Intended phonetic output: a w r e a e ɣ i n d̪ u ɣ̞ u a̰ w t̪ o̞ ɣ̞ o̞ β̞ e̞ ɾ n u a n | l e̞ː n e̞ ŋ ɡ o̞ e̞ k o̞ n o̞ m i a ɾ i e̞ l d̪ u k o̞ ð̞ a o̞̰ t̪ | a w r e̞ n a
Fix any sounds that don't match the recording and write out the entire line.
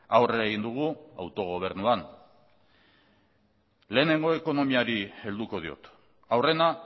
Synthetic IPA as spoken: a w r e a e ɣ i n d̪ u ɣ̞ u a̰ w t̪ o̞ ɣ̞ o̞ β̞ e̞ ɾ n u a n | l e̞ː n e̞ ŋ ɡ o̞ e̞ k o̞ n o̞ m i a ɾ i e̞ l d̪ u k o̞ ð̞ i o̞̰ t̪ | a w r e̞ n a